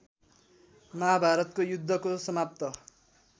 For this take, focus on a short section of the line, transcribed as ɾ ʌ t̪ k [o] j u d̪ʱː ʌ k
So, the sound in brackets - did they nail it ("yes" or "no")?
yes